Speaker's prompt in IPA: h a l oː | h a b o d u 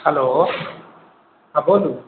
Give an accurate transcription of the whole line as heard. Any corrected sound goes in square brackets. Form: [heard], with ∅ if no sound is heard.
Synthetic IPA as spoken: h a l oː | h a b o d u

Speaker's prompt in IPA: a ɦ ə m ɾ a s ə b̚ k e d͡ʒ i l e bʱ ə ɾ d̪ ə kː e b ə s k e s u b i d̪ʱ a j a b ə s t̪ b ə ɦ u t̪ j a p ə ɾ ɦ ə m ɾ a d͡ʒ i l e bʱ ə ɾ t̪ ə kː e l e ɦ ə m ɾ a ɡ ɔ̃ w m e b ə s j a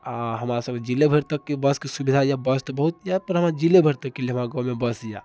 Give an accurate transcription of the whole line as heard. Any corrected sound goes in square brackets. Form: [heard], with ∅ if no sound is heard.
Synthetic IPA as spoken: a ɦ ə m ɾ a s ə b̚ k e d͡ʒ i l e bʱ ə ɾ [t̪] ə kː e b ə s k e s u b i d̪ʱ a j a b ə s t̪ b ə ɦ u t̪ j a p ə ɾ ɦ ə m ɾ a d͡ʒ i l e bʱ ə ɾ t̪ ə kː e l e ɦ ə m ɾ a ɡ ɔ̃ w m e b ə s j a

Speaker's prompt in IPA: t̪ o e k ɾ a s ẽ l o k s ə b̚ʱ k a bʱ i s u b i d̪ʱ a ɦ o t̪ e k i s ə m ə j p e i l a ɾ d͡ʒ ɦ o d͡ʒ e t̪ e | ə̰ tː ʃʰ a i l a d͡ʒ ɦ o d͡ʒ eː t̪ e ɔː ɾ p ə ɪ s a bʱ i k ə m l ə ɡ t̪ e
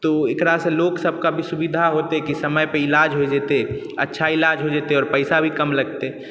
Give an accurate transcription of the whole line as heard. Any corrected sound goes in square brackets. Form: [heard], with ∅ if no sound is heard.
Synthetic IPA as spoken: t̪ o e k ɾ a s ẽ l o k s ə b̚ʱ k a bʱ i s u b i d̪ʱ a ɦ o t̪ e k i s ə m ə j p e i l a [∅] d͡ʒ ɦ o d͡ʒ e t̪ e | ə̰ tː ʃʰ a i l a d͡ʒ ɦ o d͡ʒ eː t̪ e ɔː ɾ p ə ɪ s a bʱ i k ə m l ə ɡ t̪ e

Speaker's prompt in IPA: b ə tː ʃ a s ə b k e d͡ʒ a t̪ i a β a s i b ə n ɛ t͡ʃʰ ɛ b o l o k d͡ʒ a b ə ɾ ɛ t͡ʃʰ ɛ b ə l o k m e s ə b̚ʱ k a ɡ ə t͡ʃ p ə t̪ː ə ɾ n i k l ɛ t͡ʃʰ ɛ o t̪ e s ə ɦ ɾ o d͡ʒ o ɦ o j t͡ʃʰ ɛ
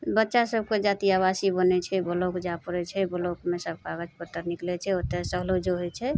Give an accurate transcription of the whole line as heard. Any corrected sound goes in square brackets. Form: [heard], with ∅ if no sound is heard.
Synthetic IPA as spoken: b ə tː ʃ a s ə b k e d͡ʒ a t̪ i a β a s i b ə n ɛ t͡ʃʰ ɛ b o l o k d͡ʒ a [p] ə ɾ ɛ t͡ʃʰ ɛ b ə l o k m e s ə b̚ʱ k a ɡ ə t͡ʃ p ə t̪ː ə ɾ n i k l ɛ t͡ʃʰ ɛ o t̪ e s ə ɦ [l] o d͡ʒ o ɦ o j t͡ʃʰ ɛ

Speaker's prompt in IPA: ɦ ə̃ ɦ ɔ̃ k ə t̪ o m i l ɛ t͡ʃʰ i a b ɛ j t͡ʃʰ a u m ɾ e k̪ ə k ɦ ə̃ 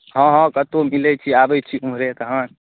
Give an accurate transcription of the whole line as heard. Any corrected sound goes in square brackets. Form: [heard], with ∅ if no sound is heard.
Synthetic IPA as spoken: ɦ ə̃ ɦ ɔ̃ k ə t̪ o m i l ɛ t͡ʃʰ i a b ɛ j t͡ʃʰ [i] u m ɾ e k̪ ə [∅] ɦ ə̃

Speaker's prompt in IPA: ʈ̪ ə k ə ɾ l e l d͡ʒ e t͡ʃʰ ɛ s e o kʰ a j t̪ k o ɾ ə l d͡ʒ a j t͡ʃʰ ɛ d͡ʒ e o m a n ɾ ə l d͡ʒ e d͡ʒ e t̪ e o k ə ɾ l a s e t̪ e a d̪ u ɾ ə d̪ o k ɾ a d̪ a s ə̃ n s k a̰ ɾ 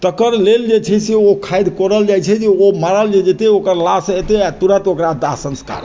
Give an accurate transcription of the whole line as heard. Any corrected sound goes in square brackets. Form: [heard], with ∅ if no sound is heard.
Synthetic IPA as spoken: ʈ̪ ə k ə ɾ l e l d͡ʒ e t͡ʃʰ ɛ s e o kʰ a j [d̪] k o ɾ ə l d͡ʒ a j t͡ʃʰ ɛ d͡ʒ e o m a [∅] ɾ ə l d͡ʒ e d͡ʒ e t̪ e o k ə ɾ l a s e t̪ e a [t̪] u ɾ ə [t̪] o k ɾ a d̪ a s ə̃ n s k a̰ ɾ

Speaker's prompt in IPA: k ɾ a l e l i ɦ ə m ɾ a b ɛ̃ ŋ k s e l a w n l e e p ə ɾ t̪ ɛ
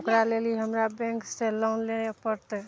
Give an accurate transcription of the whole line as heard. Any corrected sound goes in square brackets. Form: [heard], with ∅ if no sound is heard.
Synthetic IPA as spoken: k ɾ a l e l i ɦ ə m ɾ a b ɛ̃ ŋ k s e l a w n l e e p ə ɾ t̪ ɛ

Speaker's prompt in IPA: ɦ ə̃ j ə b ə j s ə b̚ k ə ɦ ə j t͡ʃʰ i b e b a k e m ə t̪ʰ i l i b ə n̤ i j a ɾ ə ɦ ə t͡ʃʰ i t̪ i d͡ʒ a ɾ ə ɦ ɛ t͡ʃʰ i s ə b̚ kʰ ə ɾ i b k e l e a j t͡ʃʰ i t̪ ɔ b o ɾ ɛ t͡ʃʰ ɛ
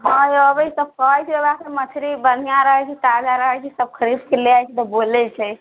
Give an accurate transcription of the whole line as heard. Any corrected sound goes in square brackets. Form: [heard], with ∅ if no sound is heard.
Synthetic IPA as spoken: ɦ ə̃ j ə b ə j s ə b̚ k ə ɦ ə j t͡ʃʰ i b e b a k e m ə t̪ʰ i [ɾ] i b ə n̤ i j a ɾ ə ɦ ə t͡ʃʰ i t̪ [a] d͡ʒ a ɾ ə ɦ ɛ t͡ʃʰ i s ə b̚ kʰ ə ɾ i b k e l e a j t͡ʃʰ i t̪ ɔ b o [l] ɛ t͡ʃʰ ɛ

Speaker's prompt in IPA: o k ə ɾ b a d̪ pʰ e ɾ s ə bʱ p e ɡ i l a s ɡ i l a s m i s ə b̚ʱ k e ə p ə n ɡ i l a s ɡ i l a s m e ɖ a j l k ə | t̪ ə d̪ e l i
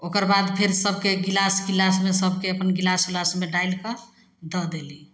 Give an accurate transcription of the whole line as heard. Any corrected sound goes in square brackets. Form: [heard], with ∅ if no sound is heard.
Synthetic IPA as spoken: o k ə ɾ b a d̪ pʰ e ɾ s ə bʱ [k] e ɡ i l a s ɡ i l a s m [e] s ə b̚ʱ k e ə p ə n ɡ i l a s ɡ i l a s m e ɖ a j l k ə | [d̪] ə d̪ e l i

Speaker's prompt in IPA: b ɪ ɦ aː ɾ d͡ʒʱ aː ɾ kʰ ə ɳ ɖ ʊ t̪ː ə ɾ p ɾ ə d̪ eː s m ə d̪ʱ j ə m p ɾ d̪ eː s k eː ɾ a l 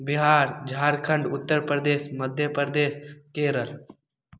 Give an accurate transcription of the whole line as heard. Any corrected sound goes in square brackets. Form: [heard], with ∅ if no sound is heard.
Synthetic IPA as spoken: b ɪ ɦ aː ɾ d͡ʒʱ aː ɾ kʰ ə ɳ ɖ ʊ t̪ː ə ɾ p ɾ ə d̪ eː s m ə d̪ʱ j ə [∅] p ɾ d̪ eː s k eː ɾ [ə] l

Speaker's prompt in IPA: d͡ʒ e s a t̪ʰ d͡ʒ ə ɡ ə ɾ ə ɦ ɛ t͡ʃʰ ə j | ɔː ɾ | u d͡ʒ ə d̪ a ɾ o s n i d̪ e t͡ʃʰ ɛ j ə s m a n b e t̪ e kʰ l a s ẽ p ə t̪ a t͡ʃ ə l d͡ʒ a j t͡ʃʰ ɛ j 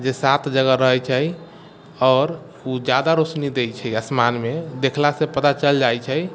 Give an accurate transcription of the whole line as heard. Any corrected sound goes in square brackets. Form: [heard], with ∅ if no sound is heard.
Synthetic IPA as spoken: d͡ʒ e s a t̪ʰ d͡ʒ ə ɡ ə ɾ ə ɦ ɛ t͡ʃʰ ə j | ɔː ɾ | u d͡ʒ [a] d̪ a ɾ o s n i d̪ e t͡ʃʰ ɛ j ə s m a n [m] e [d̪] e kʰ l a s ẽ p ə t̪ a t͡ʃ ə l d͡ʒ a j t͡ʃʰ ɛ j

